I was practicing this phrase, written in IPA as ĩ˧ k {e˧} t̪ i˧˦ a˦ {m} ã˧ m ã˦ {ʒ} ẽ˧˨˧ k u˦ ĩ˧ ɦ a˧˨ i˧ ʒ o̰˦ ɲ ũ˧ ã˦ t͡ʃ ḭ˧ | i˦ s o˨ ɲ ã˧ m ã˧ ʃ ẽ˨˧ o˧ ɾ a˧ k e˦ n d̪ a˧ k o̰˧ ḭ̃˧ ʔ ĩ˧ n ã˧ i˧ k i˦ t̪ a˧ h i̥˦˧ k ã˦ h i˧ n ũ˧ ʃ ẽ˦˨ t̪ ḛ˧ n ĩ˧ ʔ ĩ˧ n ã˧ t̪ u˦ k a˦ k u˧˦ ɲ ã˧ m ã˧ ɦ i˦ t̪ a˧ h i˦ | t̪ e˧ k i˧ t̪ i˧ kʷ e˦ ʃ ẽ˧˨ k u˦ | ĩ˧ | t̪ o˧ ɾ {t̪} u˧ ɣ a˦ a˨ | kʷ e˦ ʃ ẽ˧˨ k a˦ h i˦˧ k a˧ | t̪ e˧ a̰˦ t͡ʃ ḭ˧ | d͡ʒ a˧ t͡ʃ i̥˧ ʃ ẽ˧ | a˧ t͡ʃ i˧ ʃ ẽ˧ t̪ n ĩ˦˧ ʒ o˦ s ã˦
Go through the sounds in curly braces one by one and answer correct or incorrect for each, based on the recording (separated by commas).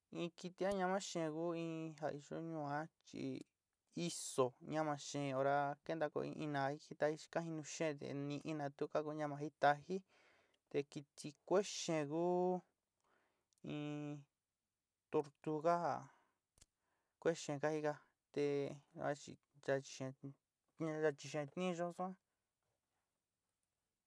incorrect, incorrect, incorrect, correct